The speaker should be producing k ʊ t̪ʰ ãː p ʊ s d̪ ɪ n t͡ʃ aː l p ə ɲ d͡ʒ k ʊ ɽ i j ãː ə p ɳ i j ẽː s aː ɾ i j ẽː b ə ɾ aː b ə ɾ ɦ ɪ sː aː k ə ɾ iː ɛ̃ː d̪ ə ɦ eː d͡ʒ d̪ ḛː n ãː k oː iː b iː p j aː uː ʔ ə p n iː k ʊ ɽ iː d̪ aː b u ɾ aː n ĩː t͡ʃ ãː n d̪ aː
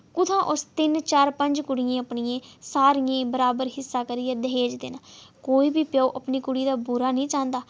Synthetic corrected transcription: k ʊ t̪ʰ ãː ʔ ʊ s t̪ ɪ n t͡ʃ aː ɾ p ə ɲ d͡ʒ k ʊ ɽ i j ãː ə p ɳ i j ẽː s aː ɾ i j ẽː b ə ɾ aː b ə ɾ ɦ ɪ sː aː k ə ɾ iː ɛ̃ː d̪ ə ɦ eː d͡ʒ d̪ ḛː n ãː k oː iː b iː p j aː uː ʔ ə p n iː k ʊ ɽ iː d̪ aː b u ɾ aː n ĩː t͡ʃ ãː n d̪ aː